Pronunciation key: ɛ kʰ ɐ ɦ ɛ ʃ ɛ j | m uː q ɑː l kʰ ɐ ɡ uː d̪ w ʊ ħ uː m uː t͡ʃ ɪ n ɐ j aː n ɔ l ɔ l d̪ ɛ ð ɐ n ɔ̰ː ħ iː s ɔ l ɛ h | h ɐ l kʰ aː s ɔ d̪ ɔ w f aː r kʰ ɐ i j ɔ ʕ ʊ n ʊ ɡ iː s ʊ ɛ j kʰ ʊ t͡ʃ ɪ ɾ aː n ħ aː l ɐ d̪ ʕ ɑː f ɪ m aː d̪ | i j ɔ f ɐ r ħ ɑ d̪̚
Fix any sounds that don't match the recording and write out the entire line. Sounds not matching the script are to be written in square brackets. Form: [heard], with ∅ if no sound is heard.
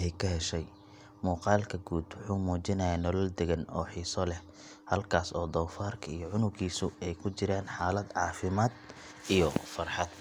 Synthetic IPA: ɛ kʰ ɐ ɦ ɛ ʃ ɛ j | m uː q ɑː l kʰ ɐ ɡ uː d̪ w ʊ ħ uː m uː t͡ʃ ɪ n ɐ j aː n ɔ l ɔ l d̪ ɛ [ɣ] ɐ n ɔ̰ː ħ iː s ɔ l ɛ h | h ɐ l kʰ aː s [ɔː] d̪ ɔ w f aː r kʰ ɐ i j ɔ ʕ ʊ n ʊ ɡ iː s ʊ ɛ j kʰ ʊ t͡ʃ ɪ ɾ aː n ħ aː l ɐ d̪ ʕ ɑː f ɪ m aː d̪ | i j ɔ f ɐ r ħ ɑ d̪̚